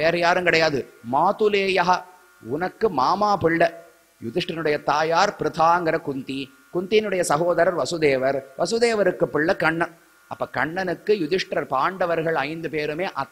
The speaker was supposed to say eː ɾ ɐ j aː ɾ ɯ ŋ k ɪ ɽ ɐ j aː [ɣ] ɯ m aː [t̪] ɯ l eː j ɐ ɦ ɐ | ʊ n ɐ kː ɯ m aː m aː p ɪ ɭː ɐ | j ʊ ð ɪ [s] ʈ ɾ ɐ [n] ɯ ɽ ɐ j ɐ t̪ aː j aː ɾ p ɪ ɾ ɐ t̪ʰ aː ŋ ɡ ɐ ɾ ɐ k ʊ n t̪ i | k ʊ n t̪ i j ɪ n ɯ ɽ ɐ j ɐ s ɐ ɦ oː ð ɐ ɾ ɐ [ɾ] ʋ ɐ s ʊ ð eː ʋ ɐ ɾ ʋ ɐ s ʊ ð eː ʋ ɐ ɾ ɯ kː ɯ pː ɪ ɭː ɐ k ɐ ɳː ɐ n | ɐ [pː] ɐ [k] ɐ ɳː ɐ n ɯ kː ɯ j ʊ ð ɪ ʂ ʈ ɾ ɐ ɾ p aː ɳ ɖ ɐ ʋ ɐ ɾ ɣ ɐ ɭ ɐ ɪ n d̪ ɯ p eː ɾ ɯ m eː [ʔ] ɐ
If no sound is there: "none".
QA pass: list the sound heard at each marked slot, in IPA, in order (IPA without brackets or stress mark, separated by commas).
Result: ð, t̪, ʂ, n, ɾ, pː, k, ʔ